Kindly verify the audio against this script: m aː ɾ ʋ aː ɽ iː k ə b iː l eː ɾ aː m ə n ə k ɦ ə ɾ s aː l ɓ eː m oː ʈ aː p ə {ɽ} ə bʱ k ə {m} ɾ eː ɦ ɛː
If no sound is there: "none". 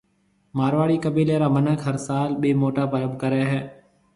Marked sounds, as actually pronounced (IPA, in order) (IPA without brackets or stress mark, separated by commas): ɾ, none